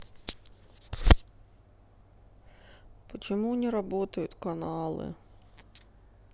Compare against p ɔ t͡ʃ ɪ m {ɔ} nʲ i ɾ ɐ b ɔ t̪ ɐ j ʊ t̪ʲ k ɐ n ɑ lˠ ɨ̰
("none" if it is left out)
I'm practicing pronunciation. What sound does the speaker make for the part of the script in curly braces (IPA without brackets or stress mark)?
u